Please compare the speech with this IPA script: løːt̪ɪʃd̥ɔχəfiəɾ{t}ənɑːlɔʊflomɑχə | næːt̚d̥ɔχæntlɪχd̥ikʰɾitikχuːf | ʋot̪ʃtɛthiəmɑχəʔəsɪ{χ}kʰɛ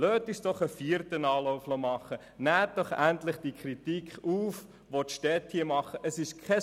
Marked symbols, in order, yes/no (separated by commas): yes, no